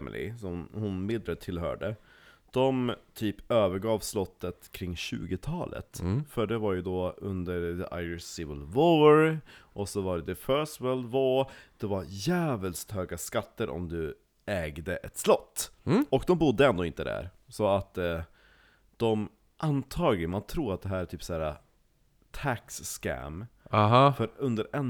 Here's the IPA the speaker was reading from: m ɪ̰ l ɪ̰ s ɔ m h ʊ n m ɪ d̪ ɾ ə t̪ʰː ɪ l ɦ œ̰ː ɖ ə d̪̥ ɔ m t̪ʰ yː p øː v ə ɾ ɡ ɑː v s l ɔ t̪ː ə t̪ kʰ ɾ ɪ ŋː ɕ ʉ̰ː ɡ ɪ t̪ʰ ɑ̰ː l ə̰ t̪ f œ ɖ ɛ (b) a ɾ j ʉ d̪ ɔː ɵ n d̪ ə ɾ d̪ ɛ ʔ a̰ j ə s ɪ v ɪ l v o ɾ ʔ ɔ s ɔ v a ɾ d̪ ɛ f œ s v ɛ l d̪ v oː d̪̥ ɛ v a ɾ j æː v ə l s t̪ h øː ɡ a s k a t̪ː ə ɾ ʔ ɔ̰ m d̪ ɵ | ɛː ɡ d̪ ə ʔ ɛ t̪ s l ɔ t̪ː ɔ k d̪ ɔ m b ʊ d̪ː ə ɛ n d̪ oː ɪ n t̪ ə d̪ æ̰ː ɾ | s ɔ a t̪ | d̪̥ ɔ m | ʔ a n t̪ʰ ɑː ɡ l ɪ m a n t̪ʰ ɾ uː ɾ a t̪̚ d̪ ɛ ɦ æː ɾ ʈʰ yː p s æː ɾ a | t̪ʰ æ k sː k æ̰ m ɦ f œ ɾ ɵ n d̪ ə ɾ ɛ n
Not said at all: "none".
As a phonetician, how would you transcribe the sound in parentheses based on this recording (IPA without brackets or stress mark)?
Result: v